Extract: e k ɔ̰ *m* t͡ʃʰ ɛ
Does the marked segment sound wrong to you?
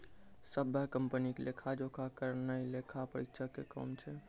no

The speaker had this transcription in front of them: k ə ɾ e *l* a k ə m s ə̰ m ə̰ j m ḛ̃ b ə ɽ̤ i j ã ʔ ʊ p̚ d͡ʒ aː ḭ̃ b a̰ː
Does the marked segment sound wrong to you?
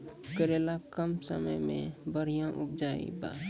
no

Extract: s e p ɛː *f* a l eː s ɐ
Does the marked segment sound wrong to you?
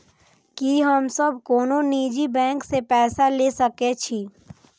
yes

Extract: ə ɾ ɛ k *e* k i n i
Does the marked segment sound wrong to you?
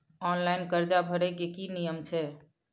no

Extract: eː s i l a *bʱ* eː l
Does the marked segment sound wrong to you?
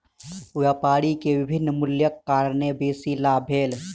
no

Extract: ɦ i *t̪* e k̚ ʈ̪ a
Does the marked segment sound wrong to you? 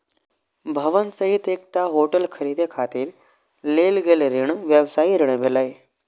no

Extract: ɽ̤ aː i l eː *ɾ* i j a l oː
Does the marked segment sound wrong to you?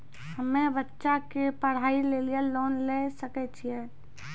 yes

